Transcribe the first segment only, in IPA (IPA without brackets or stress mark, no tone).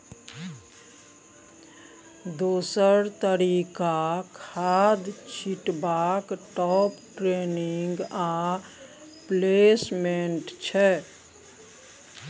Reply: d̪